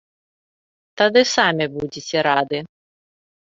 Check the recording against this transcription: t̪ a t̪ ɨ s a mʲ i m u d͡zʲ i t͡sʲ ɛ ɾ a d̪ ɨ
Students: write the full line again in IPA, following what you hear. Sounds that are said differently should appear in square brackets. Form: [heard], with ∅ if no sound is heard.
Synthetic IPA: t̪ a [d̪] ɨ s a mʲ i [b] u d͡zʲ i t͡sʲ ɛ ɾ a d̪ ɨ